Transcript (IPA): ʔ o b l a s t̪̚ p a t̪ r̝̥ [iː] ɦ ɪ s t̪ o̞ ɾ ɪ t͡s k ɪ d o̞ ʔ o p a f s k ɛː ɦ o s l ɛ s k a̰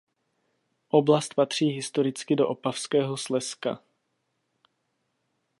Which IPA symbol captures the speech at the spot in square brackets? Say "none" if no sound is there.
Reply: iː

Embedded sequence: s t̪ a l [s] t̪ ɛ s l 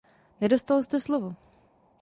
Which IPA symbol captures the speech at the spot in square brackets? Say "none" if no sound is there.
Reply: s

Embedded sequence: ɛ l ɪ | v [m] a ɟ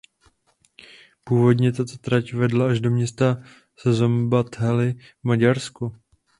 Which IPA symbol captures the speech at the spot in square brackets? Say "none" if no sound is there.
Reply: m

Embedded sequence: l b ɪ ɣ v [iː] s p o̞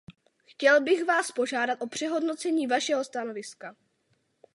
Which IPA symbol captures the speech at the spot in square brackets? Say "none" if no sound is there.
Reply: aː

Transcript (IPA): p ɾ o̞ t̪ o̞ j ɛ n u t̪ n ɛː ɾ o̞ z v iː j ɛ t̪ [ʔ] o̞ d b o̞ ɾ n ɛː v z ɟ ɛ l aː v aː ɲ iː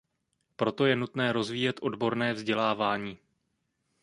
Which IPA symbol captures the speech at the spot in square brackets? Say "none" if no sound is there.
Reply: ʔ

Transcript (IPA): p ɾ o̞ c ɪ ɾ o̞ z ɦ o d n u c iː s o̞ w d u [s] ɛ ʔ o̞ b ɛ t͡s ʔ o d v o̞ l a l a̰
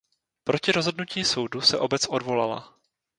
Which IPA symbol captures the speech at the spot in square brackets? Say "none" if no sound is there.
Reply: s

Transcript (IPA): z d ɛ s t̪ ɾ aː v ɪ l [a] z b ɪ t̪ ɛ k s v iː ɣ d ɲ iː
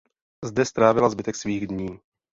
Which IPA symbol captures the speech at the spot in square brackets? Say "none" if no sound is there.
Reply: a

